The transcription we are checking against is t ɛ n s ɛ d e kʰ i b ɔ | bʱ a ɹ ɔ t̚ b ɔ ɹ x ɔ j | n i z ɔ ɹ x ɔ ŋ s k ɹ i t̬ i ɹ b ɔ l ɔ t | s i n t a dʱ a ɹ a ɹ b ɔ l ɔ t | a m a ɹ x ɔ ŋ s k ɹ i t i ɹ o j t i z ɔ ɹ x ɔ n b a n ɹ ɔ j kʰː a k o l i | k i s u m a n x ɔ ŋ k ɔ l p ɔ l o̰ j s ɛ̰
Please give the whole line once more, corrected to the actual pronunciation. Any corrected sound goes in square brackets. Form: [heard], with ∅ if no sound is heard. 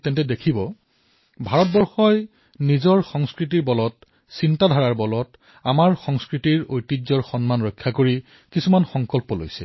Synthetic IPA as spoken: t ɛ n [t] ɛ d e kʰ i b ɔ | bʱ a ɹ ɔ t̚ b ɔ ɹ x ɔ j | n i z ɔ ɹ x ɔ ŋ s k ɹ i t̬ i ɹ b ɔ l ɔ t | s i n t a dʱ a ɹ a ɹ b ɔ l ɔ t | a m a ɹ x ɔ ŋ s k ɹ i t i ɹ o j t i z ɔ ɹ x ɔ n [m] a n ɹ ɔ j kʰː a k o [ɹ] i | k i s u m a n x ɔ ŋ k ɔ l p ɔ l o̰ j s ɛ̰